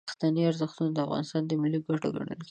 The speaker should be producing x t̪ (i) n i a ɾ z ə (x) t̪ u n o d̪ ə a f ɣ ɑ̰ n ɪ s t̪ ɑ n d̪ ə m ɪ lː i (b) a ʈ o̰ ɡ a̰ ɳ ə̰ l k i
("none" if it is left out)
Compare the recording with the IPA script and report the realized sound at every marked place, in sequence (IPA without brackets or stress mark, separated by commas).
a, x, ɡ